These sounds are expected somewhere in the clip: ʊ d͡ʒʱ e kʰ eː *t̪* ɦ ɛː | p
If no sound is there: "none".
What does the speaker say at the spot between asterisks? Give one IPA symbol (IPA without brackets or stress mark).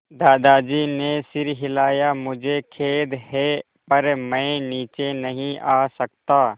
d̪